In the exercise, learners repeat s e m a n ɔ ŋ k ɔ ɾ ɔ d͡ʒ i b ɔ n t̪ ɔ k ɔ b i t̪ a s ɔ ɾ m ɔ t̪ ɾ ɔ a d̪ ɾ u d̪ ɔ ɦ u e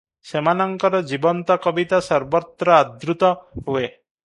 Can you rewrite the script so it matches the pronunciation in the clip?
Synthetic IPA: s e m a n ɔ ŋ k ɔ ɾ ɔ d͡ʒ i b ɔ n t̪ ɔ k ɔ b i t̪ a s ɔ ɾ b ɔ t̪ ɾ ɔ a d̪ ɾ u t̪ ɔ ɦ u e